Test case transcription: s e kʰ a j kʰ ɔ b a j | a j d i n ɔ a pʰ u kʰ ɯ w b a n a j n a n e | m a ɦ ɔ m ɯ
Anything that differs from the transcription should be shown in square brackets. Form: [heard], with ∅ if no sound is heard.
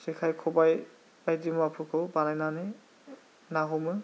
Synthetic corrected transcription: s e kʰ a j kʰ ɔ b a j | a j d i [m] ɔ a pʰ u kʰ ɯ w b a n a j n a n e | [n] a ɦ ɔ m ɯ

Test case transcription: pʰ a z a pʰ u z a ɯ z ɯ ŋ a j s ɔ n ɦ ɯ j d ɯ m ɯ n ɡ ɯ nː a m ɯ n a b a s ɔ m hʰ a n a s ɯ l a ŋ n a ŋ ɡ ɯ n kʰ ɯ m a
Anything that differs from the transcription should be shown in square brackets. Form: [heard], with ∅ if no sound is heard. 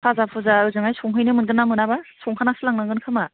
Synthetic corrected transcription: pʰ a z a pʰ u z a ɯ z ɯ ŋ a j s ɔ [ŋ] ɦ ɯ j [n] ɯ m ɯ n ɡ ɯ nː a m ɯ n a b a s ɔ [ŋ] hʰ a n a s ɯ l a ŋ n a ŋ ɡ ɯ n kʰ ɯ m a

